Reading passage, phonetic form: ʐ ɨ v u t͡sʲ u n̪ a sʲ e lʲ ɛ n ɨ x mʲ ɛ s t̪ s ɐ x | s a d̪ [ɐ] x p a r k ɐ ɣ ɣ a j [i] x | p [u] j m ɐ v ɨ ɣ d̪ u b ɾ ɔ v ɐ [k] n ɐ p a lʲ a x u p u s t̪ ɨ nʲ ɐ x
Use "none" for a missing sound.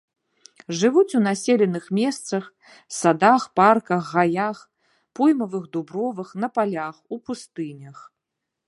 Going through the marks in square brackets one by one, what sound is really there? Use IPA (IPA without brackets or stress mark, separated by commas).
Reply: a, a, u, x